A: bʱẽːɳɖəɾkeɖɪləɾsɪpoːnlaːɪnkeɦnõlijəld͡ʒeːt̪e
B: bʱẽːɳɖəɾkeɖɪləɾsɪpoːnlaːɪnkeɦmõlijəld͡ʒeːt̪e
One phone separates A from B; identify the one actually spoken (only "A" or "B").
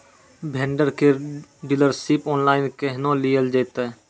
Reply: A